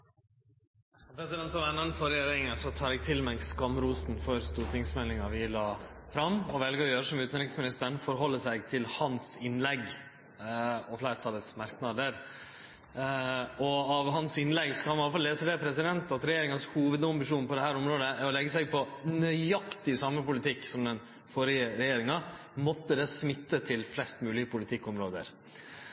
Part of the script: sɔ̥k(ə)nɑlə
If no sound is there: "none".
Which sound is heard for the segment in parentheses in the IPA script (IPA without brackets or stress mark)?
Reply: ɑ